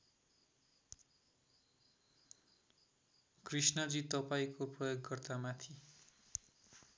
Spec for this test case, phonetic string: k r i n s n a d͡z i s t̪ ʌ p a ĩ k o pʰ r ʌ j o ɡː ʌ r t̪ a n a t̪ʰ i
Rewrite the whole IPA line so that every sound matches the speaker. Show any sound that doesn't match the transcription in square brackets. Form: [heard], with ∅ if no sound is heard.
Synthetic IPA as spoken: k r i [∅] s n [ʌ] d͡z i [∅] t̪ ʌ p a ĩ k o [p] r ʌ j o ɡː ʌ r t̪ a [m] a t̪ʰ i